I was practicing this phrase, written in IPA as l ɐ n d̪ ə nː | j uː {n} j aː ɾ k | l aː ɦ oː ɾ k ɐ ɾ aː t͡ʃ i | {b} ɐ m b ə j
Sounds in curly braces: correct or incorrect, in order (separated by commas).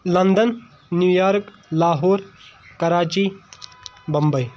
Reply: incorrect, correct